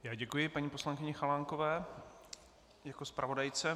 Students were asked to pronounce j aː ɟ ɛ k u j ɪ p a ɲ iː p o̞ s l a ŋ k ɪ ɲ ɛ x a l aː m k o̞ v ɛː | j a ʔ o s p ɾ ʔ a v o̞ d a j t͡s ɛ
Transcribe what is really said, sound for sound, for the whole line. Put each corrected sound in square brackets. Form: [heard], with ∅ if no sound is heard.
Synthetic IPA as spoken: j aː ɟ ɛ k u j ɪ p a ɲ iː p o̞ s l a ŋ k ɪ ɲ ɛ x a l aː [ŋ] k o̞ v ɛː | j a [k] o s p ɾ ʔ a v o̞ d a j t͡s ɛ